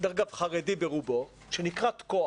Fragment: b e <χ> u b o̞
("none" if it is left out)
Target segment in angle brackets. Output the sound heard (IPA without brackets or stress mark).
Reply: ʁ